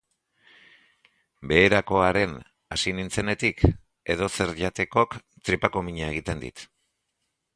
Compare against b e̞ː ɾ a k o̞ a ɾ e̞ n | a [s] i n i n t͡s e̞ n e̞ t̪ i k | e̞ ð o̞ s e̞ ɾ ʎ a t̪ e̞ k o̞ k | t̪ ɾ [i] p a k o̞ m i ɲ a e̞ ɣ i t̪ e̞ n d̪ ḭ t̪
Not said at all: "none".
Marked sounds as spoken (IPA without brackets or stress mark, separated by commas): s, i